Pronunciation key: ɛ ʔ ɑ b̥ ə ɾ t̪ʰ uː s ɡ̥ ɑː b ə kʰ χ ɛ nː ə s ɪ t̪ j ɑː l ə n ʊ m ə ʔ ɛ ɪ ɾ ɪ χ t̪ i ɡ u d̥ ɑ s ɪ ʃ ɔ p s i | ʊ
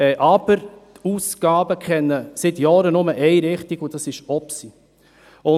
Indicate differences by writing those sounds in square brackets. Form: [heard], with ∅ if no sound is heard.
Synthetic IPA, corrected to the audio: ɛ ʔ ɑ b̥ ə ɾ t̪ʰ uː s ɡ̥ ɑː b ə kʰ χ ɛ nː ə s ɪ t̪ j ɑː [ɾ] ə n ʊ m ə ʔ ɛ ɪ ɾ ɪ χ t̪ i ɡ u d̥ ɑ s ɪ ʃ ɔ p s i | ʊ

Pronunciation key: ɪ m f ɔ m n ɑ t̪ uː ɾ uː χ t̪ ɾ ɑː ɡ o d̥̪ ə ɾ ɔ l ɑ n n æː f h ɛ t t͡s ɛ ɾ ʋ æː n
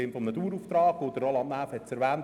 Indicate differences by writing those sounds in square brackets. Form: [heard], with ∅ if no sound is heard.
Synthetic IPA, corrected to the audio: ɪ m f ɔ m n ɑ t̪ uː ɾ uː [f] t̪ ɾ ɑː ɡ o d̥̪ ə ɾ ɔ l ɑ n n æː f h ɛ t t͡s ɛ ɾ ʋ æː n

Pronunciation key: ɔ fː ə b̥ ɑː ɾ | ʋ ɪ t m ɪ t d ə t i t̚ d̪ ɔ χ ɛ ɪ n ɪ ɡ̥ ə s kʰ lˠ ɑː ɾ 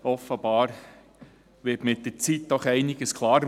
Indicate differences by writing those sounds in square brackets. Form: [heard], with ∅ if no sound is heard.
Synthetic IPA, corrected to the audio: ɔ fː ə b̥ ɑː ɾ | ʋ ɪ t m ɪ t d ə [t͡s] i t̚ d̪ ɔ χ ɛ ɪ n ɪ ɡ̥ ə s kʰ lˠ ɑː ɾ

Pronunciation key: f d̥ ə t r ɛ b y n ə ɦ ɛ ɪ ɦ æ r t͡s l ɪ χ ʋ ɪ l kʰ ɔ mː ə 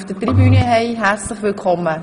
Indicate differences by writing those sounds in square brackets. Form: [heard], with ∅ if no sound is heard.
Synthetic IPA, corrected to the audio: f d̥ ə t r [i] b y n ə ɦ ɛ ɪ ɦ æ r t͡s l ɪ χ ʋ ɪ l kʰ ɔ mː ə

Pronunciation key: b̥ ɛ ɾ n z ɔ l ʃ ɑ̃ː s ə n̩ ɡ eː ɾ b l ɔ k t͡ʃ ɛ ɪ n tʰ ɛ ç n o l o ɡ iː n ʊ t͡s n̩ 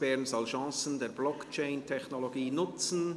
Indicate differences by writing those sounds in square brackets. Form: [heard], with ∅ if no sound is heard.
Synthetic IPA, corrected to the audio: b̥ ɛ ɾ n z ɔ l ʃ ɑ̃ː s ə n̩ [d] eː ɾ b l ɔ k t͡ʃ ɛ ɪ n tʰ ɛ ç n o l o ɡ iː n ʊ t͡s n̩

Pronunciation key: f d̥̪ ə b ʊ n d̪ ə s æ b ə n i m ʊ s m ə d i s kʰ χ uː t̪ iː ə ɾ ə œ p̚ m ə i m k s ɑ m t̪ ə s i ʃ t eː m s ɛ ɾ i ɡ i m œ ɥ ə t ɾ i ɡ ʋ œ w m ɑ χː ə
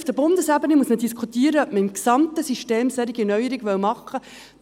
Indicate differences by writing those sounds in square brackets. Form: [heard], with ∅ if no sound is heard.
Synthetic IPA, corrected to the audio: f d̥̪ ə b ʊ n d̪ ə s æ b ə n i m [u] s m ə d i s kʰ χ [u] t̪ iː ə ɾ ə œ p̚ m ə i m k s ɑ m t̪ ə s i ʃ t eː m s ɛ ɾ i ɡ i [n] œ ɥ ə [∅] ɾ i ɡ ʋ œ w m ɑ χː ə

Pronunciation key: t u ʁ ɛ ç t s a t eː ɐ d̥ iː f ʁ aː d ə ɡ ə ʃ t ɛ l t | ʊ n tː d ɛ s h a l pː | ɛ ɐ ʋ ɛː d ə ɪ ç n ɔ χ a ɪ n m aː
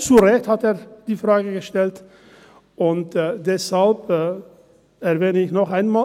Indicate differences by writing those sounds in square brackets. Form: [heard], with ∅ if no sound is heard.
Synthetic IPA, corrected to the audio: [t͡s] u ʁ ɛ ç t [h] a t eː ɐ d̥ iː f ʁ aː [ɡ] ə ɡ ə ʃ t ɛ l t | ʊ n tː d ɛ s h a l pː | ɛ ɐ [v] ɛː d ə ɪ ç n ɔ χ a ɪ n m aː

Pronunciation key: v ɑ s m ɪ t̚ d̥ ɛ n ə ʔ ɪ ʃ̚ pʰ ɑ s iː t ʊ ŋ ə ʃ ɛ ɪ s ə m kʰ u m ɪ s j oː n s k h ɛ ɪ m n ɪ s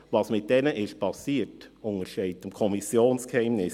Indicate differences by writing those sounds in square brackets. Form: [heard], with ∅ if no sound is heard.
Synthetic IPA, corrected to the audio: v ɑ s m ɪ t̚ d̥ ɛ n ə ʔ ɪ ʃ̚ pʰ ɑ s iː t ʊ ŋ ə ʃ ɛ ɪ [t] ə m kʰ [ɔ] m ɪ s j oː n s k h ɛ ɪ m n ɪ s

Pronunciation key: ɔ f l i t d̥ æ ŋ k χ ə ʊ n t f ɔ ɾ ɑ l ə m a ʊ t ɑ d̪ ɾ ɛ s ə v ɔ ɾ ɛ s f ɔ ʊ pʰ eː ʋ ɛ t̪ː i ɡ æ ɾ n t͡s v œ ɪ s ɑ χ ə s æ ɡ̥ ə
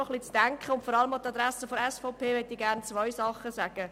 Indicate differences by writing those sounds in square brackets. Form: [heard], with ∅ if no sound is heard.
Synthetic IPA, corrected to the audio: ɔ [χ] l i [t͡s] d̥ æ ŋ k χ ə ʊ n t f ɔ ɾ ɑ l ə m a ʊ t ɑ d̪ ɾ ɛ s ə [f] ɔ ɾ ɛ s f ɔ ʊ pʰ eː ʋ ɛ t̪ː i ɡ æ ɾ n t͡s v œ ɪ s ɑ χ ə s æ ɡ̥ ə

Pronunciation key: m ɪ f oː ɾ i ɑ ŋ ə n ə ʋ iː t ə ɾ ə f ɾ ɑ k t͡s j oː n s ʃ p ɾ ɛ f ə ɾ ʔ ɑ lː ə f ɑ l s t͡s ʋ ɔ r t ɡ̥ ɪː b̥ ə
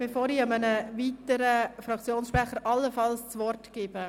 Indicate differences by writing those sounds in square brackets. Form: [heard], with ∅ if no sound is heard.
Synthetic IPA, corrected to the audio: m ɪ f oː ɾ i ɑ [m] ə n ə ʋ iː t ə ɾ ə f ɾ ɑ k t͡s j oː n s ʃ p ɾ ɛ [χ] ə ɾ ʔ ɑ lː ə f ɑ l s t͡s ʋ ɔ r t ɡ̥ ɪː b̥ ə

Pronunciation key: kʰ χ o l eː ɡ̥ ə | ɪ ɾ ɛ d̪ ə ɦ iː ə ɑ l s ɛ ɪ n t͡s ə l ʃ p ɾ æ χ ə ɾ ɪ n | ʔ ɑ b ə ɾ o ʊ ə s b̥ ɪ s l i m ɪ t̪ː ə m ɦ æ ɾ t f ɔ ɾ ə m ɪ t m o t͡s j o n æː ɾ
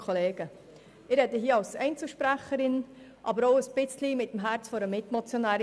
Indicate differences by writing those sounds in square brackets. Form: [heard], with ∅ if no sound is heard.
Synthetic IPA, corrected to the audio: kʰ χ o l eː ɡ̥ ə | ɪ ɾ ɛ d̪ ə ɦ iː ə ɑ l s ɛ ɪ n t͡s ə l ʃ p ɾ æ χ ə ɾ ɪ n | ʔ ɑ b ə ɾ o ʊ ə s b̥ ɪ [t͡s] l i m ɪ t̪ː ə m ɦ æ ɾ [t͡s] f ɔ ɾ ə m ɪ t m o t͡s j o n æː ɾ

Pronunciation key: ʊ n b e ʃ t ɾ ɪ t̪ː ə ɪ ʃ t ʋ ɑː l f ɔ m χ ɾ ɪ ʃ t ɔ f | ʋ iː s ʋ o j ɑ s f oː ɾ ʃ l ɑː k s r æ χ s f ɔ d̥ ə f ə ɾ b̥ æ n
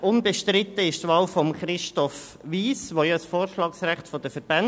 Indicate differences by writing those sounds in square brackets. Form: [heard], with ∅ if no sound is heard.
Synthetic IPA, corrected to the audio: ʊ n b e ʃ t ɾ ɪ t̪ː ə ɪ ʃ t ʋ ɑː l f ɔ m χ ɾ ɪ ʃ t ɔ f | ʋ iː s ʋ o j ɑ s f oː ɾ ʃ l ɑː k s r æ χ [t] f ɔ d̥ ə f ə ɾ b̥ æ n

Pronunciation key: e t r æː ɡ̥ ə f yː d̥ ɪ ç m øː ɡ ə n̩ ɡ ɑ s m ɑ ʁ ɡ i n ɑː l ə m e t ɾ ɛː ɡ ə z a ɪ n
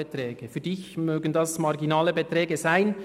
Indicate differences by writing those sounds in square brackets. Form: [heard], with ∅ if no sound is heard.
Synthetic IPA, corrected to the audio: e t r [ɛː] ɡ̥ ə f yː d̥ ɪ ç m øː ɡ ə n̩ [d] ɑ s m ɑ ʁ ɡ i n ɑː l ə [b] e t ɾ ɛː ɡ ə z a ɪ n

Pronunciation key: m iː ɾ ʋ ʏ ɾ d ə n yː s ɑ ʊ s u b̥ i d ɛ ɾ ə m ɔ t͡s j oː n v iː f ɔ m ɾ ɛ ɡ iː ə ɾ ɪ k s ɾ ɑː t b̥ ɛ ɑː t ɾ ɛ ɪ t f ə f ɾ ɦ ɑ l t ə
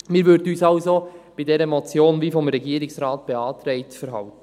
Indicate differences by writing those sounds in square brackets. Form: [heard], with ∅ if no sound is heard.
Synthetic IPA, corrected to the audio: m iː ɾ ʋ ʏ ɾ d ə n yː s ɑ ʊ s [o] b̥ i d ɛ ɾ ə m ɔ t͡s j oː n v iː f ɔ m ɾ ɛ ɡ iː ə ɾ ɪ k s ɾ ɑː t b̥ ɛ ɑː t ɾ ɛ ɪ t f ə [∅] ɾ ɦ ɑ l t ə

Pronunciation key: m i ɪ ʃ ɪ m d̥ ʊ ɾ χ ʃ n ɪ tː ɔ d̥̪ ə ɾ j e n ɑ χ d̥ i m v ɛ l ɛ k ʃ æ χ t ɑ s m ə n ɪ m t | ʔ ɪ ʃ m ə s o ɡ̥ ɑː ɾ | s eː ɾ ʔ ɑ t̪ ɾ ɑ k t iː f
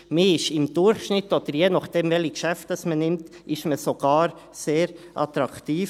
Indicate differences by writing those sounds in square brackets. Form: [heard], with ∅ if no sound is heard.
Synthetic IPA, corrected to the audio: m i ɪ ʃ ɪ m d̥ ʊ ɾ χ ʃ n ɪ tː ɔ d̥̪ ə ɾ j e n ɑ χ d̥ [ɛ] m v ɛ l [i] k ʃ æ [f] t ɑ s m ə n ɪ m t | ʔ ɪ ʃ m ə s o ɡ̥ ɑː ɾ | s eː ɾ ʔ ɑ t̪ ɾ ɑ k t iː f

